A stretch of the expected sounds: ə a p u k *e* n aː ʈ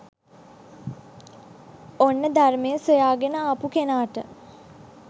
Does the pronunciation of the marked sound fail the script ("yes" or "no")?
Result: no